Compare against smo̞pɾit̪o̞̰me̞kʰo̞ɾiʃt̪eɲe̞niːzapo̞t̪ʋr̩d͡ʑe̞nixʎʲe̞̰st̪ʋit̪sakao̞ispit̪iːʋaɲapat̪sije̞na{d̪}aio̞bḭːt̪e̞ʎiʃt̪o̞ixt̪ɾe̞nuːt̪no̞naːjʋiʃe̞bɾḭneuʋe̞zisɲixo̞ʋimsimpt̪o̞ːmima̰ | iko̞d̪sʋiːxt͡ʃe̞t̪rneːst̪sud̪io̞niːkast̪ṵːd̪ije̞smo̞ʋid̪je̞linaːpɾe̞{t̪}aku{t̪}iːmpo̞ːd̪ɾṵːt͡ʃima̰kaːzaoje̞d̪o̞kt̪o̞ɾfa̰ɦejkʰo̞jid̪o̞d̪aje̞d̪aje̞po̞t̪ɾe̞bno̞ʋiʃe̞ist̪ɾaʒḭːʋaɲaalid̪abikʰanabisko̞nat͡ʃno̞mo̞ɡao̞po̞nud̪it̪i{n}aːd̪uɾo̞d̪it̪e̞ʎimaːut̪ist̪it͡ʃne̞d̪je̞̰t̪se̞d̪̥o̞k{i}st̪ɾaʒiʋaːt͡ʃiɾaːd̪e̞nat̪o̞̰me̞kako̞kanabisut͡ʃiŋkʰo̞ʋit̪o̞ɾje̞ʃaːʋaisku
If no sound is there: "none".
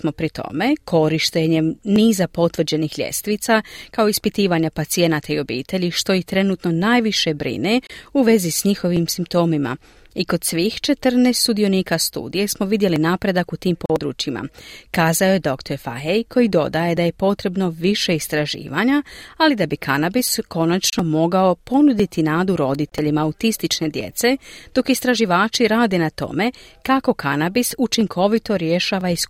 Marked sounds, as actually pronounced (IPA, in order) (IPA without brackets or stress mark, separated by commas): t̪, d̪, t̪, n, i